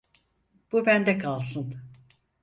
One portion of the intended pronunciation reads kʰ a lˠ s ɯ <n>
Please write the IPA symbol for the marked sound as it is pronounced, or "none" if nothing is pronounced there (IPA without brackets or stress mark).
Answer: n